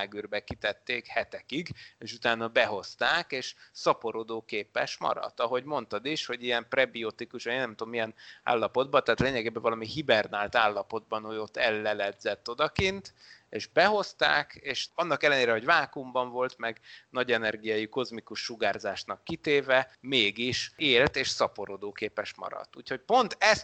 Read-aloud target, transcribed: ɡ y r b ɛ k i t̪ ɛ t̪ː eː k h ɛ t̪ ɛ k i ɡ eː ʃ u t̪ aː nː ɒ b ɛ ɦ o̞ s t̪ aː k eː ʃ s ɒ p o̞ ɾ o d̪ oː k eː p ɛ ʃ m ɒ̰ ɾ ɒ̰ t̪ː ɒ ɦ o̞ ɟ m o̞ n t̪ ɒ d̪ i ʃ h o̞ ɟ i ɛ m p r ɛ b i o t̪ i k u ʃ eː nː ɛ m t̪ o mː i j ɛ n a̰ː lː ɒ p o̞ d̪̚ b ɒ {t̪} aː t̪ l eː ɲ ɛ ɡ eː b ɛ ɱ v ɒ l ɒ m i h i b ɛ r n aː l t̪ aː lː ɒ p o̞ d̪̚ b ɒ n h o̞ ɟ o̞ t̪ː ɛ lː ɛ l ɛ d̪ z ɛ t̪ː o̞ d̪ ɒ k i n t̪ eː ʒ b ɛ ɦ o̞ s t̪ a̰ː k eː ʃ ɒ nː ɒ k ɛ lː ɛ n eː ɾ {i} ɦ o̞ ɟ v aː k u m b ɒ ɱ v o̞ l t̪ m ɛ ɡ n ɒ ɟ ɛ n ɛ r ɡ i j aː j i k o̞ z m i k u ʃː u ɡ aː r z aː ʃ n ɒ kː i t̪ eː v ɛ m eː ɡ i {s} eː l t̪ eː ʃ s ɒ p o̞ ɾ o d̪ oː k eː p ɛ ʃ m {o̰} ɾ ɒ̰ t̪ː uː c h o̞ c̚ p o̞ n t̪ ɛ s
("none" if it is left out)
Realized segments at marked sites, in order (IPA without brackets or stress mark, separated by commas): t̪, ɛ, ʃ, ɒ̰